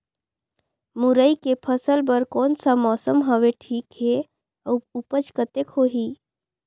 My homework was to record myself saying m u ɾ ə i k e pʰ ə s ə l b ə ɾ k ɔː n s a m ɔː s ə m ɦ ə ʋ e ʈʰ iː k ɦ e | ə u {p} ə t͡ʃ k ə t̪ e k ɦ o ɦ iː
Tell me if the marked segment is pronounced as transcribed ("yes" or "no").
yes